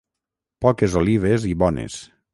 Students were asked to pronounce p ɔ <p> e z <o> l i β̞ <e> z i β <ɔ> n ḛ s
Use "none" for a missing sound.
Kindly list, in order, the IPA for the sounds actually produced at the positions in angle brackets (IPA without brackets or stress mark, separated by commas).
k, o, e, ɔ